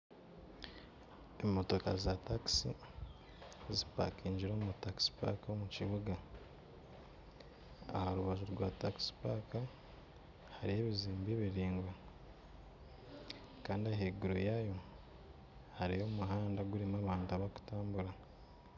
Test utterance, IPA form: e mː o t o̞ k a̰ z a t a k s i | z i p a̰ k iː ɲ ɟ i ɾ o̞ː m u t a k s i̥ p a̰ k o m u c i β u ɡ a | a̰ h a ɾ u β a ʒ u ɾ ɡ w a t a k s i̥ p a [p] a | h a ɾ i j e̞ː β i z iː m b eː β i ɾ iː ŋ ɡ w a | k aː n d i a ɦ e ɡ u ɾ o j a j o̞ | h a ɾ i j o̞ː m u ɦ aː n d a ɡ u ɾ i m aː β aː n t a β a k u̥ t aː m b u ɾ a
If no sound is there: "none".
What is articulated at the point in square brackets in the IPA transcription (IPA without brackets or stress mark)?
k